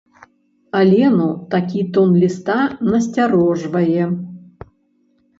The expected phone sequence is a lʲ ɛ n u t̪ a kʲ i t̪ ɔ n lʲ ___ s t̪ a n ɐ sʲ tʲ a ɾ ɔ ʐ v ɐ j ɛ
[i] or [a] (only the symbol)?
i